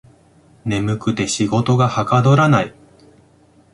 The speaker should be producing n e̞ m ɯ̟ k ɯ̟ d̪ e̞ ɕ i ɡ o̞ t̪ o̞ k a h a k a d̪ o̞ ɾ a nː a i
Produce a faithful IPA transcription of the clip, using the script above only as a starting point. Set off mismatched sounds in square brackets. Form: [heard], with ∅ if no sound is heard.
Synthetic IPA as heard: n e̞ m ɯ̟ k ɯ̟ [t̪] e̞ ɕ i ɡ o̞ t̪ o̞ [ɡ] a h a k a d̪ o̞ ɾ a [n] a i